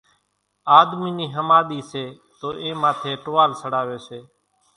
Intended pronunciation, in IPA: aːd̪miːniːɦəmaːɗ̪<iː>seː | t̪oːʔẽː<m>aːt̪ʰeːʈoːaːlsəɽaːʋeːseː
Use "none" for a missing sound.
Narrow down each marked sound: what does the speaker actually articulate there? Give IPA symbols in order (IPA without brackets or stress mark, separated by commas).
iː, m